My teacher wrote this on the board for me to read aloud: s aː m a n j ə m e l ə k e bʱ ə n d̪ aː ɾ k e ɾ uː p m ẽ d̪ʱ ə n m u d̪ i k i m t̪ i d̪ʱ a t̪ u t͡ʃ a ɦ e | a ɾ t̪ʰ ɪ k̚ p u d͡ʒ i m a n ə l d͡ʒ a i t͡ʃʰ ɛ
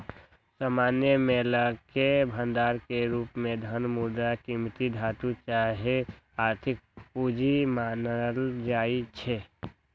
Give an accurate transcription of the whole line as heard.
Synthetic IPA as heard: s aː m a n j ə m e l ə k e bʱ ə n d̪ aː ɾ k e ɾ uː p m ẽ d̪ʱ ə n m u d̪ a k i m t̪ i d̪ʱ a t̪ u t͡ʃ a ɦ e | a ɾ t̪ʰ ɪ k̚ p u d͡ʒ i m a n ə l d͡ʒ a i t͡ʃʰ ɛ